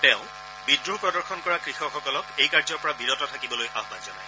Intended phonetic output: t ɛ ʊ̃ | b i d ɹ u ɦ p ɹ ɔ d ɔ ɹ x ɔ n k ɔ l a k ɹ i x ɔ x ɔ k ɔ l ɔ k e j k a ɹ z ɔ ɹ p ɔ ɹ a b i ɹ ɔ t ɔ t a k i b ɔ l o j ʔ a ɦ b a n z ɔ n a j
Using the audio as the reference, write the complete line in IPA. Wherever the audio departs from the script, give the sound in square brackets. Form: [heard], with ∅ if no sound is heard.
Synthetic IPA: t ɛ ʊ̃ | b i d ɹ u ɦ p ɹ ɔ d ɔ ɹ x ɔ n k ɔ [ɹ] a k ɹ i x ɔ x ɔ k ɔ l ɔ k e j k a ɹ z ɔ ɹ p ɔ ɹ a b i ɹ ɔ t ɔ [tʰ] a k i b ɔ l o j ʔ a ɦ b a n z ɔ n a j